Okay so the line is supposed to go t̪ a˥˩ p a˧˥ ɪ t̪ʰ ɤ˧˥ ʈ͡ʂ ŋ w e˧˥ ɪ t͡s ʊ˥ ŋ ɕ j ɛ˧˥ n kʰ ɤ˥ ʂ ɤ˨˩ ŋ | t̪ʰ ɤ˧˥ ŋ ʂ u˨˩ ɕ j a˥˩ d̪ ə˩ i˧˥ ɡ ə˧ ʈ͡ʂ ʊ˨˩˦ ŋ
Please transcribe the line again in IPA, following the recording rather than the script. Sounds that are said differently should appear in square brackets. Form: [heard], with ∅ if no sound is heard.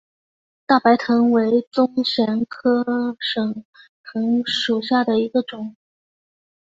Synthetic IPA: t̪ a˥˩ p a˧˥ ɪ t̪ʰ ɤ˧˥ [∅] ŋ w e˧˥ ɪ t͡s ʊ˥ ŋ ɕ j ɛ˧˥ n kʰ ɤ˥ ʂ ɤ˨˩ ŋ | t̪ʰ ɤ˧˥ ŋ ʂ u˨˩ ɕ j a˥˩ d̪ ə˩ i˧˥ ɡ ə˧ ʈ͡ʂ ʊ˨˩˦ ŋ